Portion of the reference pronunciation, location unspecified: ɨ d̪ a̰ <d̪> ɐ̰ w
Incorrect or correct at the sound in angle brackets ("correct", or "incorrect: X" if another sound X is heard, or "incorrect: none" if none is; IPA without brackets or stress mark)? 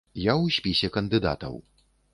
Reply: incorrect: t̪